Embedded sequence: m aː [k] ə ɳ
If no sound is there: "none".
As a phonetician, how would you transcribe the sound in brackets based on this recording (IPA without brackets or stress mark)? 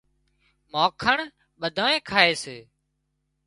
kʰ